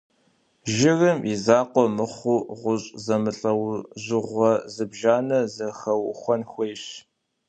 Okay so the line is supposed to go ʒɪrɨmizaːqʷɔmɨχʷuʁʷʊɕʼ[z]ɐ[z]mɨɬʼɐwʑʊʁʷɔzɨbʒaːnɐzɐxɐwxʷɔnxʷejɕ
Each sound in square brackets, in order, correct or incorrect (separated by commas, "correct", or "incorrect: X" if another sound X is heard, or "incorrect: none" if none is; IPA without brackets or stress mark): correct, incorrect: none